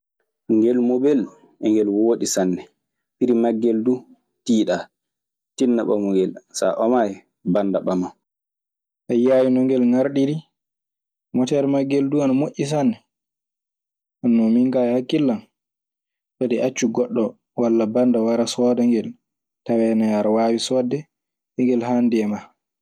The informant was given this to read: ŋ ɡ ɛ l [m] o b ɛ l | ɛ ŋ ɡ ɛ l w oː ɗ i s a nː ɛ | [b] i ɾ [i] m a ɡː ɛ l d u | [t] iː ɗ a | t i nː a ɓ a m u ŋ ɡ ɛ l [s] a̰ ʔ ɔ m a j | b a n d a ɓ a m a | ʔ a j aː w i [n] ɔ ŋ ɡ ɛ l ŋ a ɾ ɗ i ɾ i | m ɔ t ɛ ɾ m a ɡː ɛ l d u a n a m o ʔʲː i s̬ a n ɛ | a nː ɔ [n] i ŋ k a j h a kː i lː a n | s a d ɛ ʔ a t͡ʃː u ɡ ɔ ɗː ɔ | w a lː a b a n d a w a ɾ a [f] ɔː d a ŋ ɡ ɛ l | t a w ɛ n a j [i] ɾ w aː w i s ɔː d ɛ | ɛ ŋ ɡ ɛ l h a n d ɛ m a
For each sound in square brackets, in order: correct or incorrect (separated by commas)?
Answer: correct, incorrect, correct, correct, correct, correct, incorrect, incorrect, incorrect